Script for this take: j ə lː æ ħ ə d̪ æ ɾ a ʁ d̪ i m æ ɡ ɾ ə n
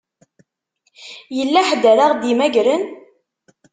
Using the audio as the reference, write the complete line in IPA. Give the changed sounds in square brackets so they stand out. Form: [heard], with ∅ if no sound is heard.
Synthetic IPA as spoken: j ə lː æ ħ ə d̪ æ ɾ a ʁ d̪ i m æ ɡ ɾ ə n